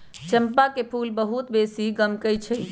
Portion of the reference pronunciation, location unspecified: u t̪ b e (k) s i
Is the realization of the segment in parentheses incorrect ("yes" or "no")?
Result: yes